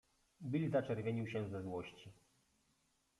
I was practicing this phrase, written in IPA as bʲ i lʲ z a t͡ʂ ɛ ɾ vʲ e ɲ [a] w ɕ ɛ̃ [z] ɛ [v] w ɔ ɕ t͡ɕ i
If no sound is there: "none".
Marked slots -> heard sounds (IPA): i, z, z

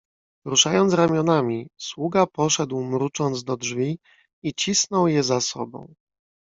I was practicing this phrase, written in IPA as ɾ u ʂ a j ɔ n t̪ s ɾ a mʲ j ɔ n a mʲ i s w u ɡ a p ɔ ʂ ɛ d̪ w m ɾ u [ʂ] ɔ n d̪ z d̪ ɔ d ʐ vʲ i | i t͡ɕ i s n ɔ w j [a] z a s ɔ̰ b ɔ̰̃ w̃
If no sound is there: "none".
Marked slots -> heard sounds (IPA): t͡ʂ, ɛ

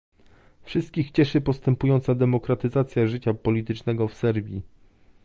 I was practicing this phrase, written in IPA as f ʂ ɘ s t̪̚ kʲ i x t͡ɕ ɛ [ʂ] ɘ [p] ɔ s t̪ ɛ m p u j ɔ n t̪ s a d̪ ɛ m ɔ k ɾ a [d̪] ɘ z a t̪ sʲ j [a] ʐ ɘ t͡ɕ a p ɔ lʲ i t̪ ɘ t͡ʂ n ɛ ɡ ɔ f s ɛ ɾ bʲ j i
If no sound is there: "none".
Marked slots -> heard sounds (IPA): ʂ, p, t̪, a

